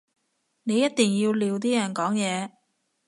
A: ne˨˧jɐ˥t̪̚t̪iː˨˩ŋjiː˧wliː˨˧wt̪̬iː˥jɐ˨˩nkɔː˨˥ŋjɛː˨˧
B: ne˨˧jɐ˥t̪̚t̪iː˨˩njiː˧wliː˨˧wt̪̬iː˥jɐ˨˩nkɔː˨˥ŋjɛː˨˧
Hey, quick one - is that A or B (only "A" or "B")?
A